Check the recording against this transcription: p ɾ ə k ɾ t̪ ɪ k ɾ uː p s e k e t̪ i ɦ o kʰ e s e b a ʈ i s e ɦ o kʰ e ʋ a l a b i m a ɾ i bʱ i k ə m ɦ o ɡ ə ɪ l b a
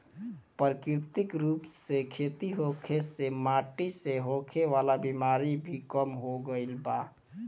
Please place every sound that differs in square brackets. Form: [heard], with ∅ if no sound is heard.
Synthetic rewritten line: p ɾ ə k ɾ t̪ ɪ k ɾ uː p s e [kʰ] e t̪ i ɦ o kʰ e s e [m] a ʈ i s e ɦ o kʰ e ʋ a l a b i m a ɾ i bʱ i k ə m ɦ o ɡ ə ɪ l b a